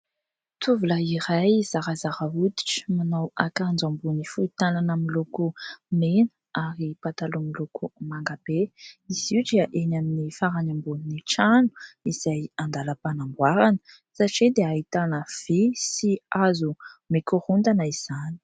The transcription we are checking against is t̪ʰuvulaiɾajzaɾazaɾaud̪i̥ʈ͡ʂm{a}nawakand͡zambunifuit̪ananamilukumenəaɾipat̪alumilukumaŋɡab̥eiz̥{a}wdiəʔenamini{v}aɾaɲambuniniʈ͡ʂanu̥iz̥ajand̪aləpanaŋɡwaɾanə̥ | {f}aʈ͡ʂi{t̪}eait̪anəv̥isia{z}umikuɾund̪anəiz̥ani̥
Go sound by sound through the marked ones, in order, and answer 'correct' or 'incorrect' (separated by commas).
correct, incorrect, incorrect, incorrect, incorrect, correct